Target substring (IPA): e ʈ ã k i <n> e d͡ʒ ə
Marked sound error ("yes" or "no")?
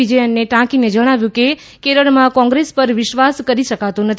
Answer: no